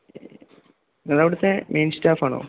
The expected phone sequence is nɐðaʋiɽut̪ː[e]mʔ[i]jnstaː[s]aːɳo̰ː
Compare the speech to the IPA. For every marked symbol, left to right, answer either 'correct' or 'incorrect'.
correct, incorrect: e, incorrect: f

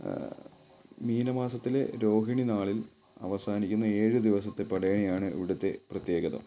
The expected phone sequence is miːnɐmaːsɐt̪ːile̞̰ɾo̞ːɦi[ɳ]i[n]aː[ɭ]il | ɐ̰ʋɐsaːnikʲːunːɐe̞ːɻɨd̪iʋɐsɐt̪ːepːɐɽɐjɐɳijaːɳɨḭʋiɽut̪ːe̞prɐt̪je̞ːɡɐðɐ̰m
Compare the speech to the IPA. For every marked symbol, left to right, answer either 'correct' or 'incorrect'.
correct, correct, correct

